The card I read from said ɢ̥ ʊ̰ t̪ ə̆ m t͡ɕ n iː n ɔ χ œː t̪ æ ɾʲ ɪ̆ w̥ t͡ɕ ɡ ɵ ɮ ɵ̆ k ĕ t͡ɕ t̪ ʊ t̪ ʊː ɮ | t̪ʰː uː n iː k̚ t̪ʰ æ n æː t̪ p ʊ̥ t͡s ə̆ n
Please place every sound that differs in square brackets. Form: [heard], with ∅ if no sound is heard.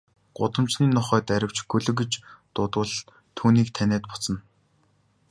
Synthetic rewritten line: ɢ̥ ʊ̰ t̪ ə̆ m t͡ɕ n iː n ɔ χ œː t̪ æ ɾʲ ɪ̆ w̥ t͡ɕ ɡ ɵ ɮ ɵ̆ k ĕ t͡ɕ t̪ ʊ t̪ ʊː ɮ | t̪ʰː uː n iː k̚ t̪ʰ æ n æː t̪ p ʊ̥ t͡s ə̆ n